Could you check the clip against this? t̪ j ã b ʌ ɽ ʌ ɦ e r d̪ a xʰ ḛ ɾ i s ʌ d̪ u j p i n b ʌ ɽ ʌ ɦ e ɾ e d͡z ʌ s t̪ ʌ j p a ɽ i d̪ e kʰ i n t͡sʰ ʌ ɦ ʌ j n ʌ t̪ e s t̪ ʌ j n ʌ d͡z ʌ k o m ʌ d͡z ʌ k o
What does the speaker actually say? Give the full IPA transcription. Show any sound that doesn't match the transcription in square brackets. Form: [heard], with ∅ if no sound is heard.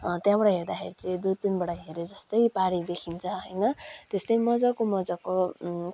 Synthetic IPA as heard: t̪ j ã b ʌ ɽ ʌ ɦ e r d̪ a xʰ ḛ ɾ i [t͡s] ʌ d̪ u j p i n b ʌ ɽ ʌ ɦ e ɾ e d͡z ʌ s t̪ ʌ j p a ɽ i d̪ e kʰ i n t͡sʰ ʌ ɦ ʌ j n ʌ t̪ e s t̪ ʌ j [m] ʌ d͡z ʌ k o m ʌ d͡z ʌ k o